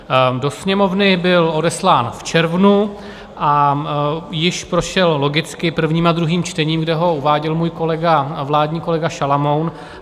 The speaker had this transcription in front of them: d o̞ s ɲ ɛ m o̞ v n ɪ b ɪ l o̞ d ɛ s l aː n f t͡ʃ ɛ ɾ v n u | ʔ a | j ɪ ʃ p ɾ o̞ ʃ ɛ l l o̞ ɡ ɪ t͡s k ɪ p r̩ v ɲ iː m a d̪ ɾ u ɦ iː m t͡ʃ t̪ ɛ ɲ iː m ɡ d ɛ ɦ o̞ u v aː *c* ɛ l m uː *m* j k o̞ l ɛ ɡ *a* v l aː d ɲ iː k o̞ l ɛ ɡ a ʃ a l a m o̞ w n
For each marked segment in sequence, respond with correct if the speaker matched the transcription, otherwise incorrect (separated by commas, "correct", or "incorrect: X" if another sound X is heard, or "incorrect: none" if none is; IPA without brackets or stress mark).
incorrect: ɟ, incorrect: none, correct